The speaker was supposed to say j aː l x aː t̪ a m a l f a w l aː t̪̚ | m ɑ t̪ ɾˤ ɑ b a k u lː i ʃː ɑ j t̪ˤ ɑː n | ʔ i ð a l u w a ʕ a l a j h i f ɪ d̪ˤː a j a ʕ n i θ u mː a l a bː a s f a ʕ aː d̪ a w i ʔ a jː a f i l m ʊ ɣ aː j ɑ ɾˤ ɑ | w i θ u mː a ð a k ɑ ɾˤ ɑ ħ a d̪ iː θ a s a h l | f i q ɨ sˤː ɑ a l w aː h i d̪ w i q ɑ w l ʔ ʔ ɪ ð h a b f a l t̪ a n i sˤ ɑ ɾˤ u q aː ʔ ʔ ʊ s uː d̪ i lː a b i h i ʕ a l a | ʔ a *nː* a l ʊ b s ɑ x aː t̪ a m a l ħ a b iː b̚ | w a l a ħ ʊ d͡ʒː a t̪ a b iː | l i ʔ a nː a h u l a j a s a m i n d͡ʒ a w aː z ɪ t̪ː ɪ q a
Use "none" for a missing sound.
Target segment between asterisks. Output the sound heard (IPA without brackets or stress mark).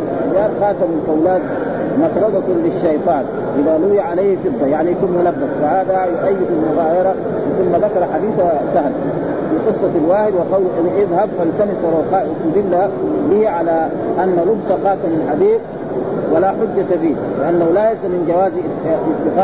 nː